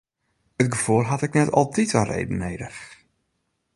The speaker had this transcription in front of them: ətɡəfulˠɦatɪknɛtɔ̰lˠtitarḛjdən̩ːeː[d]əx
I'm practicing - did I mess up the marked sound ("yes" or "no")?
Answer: no